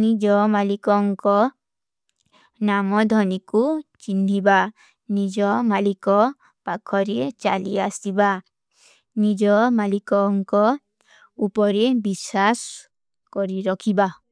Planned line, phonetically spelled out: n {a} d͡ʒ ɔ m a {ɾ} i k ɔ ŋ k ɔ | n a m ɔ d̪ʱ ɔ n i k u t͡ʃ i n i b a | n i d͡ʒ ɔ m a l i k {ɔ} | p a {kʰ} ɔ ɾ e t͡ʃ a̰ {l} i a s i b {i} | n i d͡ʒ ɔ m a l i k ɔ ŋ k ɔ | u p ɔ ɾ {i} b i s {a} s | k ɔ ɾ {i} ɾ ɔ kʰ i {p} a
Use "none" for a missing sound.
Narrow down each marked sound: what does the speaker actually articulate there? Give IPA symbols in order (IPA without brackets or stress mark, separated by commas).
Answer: i, l, ɔ, kʰ, l, a, e, a, i, b